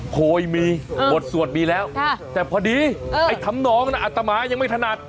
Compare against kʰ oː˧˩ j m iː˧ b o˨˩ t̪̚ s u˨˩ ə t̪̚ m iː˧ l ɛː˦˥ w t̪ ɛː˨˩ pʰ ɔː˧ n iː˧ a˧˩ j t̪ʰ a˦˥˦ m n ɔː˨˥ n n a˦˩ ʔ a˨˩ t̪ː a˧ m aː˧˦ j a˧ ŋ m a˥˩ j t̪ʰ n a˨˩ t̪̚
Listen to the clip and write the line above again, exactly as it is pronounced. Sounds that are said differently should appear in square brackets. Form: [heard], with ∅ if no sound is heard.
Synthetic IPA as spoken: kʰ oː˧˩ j m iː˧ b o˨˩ t̪̚ s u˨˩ ə t̪̚ m iː˧ l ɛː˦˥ w t̪ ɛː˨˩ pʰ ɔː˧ [d] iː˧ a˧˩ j t̪ʰ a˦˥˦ m n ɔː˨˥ [ŋ] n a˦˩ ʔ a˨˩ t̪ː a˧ m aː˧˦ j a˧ ŋ m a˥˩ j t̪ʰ n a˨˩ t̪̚